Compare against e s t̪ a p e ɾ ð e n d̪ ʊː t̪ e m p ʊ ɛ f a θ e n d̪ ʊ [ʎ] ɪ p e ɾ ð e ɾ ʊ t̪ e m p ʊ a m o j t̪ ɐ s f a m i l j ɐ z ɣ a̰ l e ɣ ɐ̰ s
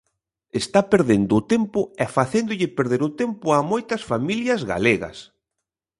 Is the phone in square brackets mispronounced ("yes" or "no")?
no